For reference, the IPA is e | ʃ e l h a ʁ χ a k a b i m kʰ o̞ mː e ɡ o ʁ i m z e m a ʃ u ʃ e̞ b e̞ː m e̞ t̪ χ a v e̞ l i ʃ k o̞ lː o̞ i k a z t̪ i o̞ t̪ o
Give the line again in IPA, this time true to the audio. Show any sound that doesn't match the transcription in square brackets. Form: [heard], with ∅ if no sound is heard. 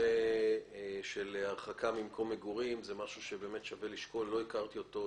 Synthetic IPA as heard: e | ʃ e l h a ʁ χ a k a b i m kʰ o̞ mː e ɡ [u] ʁ i m z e m a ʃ u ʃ e̞ b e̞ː m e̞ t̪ [ʃ] a v e̞ l i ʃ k o̞ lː o̞ i k a [ʁ] t̪ i o̞ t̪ o